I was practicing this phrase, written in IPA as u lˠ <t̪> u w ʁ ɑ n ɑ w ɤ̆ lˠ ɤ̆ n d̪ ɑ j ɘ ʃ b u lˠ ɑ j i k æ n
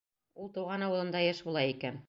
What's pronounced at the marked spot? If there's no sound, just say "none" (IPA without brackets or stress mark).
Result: t̪